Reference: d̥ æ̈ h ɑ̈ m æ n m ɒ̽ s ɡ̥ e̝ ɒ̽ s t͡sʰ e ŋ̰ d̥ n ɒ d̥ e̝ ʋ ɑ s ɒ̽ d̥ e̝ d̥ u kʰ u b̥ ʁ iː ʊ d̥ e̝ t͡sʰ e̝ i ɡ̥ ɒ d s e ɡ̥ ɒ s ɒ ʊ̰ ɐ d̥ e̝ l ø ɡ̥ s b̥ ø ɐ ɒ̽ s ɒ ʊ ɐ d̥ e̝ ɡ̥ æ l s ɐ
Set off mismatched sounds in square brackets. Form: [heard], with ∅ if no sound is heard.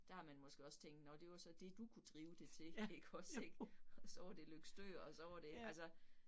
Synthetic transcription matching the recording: d̥ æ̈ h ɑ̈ m æ n m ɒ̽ s ɡ̥ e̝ ɒ̽ s t͡sʰ e ŋ̰ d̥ n ɒ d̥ e̝ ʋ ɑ s ɒ̽ d̥ e̝ d̥ u kʰ u [d̥] ʁ iː ʊ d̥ e̝ t͡sʰ e̝ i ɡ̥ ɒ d s e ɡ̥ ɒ s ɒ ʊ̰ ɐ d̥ e̝ l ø ɡ̥ s [d̥] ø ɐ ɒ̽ s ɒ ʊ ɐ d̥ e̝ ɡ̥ æ l s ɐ